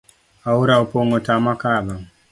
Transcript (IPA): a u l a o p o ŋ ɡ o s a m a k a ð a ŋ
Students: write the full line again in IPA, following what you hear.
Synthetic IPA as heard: a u ɾ a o p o ŋ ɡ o t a m a k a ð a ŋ